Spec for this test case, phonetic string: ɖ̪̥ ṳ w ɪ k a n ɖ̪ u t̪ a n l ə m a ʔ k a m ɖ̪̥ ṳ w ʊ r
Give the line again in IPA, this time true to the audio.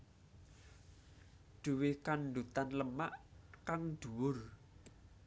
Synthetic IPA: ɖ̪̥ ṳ w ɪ k a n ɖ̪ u t̪ a n l ə m a ʔ k a ŋ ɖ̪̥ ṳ w ʊ r

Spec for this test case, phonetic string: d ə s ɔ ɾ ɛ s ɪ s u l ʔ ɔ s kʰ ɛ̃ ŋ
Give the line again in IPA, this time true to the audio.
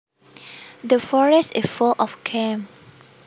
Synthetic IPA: d ə f ɔ ɹ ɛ s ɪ f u l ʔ ɔ f kʰ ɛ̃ m

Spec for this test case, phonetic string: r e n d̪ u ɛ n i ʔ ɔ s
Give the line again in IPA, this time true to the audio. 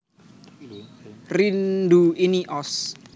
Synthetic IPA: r i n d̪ u i n i ʔ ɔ s

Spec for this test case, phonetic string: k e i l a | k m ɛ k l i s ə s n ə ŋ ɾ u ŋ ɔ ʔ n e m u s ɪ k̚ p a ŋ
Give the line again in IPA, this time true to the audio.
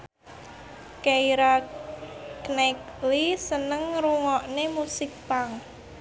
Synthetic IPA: k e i ɾ a | k n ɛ k l i s ə n ə ŋ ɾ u ŋ ɔ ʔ n e m u s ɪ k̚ p a ŋ

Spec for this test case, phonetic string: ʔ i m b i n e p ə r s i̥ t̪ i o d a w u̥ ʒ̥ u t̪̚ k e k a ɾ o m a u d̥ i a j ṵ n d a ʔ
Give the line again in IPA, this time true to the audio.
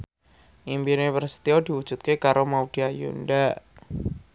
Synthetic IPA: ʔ i m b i n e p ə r s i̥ t̪ i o d i w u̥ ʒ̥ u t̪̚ k e k a ɾ o m a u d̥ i a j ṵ n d a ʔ

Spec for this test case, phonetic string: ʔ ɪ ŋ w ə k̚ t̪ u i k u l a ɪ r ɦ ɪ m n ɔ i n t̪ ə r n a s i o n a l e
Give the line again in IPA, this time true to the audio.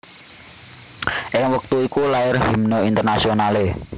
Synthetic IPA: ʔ ɪ ŋ w ə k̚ t̪ u i k u l a ɪ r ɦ i m n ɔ i n t̪ ə r n a s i o n a l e

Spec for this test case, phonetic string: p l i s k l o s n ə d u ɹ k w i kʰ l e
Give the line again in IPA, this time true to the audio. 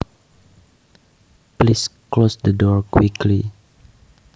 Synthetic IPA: p l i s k l o s d ə d ɔ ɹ k w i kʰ l i

